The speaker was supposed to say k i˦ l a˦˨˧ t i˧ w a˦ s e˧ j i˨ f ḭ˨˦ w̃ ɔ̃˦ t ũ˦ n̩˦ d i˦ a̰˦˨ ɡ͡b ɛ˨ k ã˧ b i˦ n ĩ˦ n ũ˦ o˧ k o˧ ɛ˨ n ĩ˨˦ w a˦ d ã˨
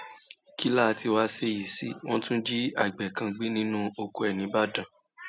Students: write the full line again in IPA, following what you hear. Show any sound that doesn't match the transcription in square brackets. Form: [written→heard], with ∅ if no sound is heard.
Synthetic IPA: k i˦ l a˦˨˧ t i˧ w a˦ s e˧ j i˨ [f→s] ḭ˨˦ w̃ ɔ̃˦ t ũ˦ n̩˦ [d→d͡ʒ] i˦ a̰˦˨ ɡ͡b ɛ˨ k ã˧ [b→ɡ͡b] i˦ n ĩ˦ n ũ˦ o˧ k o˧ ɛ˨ n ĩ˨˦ [w→b] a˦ d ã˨